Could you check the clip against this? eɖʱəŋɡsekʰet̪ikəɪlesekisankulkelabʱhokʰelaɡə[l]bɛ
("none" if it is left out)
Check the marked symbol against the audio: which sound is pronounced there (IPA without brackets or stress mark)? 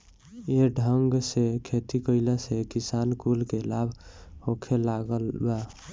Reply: l